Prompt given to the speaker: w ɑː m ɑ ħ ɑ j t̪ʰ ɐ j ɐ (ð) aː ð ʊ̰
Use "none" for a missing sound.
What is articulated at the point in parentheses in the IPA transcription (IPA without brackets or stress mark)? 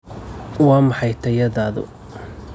ð